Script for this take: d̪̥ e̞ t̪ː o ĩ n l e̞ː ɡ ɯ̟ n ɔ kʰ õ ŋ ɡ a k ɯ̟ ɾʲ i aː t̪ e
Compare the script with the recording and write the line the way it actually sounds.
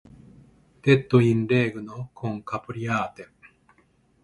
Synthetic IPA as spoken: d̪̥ e̞ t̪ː o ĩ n ɾ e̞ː ɡ ɯ̟ n o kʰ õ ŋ k a p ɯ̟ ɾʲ i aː t̪ e